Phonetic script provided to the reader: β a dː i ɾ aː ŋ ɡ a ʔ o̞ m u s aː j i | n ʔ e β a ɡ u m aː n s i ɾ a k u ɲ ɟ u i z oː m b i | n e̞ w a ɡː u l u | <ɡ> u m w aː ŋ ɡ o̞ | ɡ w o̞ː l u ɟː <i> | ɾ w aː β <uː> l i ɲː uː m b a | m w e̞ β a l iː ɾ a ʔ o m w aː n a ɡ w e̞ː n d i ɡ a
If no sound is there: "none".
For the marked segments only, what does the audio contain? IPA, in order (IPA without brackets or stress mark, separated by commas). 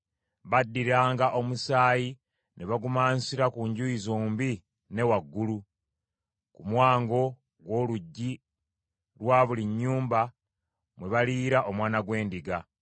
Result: k, i, u